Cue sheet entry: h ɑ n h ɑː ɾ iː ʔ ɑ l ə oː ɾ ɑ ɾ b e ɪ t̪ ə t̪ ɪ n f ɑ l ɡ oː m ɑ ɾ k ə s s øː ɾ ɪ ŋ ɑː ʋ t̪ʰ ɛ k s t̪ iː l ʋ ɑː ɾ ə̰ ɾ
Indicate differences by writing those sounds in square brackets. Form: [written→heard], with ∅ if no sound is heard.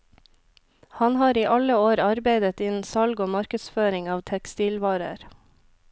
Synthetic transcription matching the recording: h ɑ n h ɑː ɾ iː ʔ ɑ l ə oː ɾ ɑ ɾ b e ɪ [t̪→d̪] ə t̪ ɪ n [f→s] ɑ l ɡ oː m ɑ ɾ k ə s [s→f] øː ɾ ɪ ŋ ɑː ʋ t̪ʰ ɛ k s t̪ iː l ʋ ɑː ɾ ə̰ ɾ

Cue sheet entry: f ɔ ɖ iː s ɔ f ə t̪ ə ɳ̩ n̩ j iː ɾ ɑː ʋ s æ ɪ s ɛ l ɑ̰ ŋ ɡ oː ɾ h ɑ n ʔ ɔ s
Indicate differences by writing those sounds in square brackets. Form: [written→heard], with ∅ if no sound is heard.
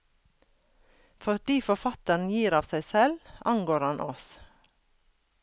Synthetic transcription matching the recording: f ɔ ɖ iː [s→f] ɔ f [ə→ɑ] t̪ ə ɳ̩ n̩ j iː ɾ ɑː ʋ s æ ɪ s ɛ l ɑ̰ ŋ ɡ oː ɾ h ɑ n ʔ ɔ s

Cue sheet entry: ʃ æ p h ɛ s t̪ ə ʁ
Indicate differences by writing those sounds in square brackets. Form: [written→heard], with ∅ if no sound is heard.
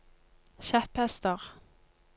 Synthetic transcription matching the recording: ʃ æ p h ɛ s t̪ ə ʁ

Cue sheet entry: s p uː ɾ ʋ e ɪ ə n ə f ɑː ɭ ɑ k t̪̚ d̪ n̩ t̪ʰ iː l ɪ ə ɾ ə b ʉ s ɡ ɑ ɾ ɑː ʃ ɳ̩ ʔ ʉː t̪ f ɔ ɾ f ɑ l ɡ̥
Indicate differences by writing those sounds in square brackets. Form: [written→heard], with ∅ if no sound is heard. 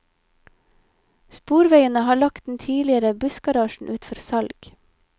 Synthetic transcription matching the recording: s p uː ɾ ʋ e ɪ ə n ə [f→h] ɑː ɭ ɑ k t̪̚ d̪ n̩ t̪ʰ iː l ɪ ə ɾ ə b ʉ s ɡ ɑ ɾ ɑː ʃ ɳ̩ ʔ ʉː t̪ f ɔ ɾ [f→s] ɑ l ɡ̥

